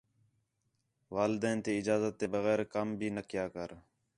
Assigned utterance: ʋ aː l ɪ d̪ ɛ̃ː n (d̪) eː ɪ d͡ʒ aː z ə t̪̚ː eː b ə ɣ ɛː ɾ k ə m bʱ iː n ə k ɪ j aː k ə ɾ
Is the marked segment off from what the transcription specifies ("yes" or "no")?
yes